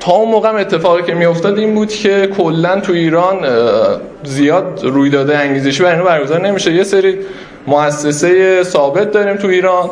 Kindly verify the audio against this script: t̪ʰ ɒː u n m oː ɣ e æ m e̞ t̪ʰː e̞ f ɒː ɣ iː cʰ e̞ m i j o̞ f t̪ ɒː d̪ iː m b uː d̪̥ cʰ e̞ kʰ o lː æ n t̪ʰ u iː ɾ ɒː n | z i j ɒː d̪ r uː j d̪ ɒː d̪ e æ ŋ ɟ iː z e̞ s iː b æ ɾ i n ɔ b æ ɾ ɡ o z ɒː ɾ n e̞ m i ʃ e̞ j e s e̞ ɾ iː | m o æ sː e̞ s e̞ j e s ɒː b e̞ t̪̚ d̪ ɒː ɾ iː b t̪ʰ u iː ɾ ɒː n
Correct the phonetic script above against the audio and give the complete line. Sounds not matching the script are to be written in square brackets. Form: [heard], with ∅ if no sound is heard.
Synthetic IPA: t̪ʰ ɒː u n m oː ɣ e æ m e̞ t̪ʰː e̞ f ɒː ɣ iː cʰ e̞ m i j o̞ f t̪ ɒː d̪ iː m b uː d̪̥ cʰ e̞ kʰ o lː æ n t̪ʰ u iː ɾ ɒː n | z i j ɒː d̪ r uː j d̪ ɒː d̪ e æ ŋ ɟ iː z e̞ [ʃ] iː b æ ɾ i n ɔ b æ ɾ ɡ o z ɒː ɾ n e̞ m i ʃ e̞ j e s e̞ ɾ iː | m o æ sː e̞ s e̞ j e s ɒː b e̞ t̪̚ d̪ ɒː ɾ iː [m] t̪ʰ u iː ɾ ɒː n